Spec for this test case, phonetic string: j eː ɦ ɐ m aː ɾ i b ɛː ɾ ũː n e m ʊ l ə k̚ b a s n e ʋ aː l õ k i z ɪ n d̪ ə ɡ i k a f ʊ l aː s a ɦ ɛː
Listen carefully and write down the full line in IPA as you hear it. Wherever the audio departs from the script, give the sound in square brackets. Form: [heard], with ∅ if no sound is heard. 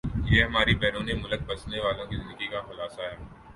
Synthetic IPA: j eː ɦ ɐ m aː ɾ i b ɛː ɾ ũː n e m ʊ l ə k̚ b [ɐ] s n e ʋ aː l õ k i z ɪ n d̪ ə ɡ i k a [x] ʊ l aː s a ɦ ɛː